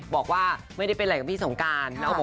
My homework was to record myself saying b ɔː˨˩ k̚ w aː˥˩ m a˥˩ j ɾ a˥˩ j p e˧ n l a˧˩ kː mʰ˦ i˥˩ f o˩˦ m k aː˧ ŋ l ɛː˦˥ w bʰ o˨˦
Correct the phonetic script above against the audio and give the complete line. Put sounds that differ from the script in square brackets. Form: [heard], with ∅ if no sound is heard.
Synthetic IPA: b ɔː˨˩ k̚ w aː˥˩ m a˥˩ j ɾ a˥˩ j p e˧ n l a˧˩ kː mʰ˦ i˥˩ [s] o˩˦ [ŋ] k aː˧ [n] l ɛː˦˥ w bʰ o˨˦